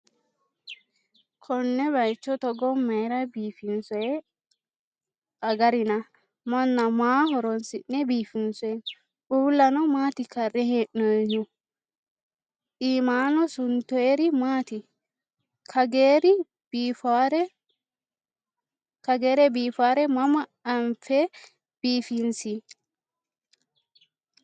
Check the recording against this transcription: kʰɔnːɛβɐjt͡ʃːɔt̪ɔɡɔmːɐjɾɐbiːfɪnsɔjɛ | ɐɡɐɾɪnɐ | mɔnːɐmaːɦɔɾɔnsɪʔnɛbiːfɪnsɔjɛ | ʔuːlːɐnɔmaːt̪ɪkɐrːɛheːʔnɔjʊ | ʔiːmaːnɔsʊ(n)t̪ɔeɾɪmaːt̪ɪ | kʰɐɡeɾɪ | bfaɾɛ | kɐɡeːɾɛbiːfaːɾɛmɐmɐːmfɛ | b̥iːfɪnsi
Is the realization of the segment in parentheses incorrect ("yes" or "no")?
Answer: no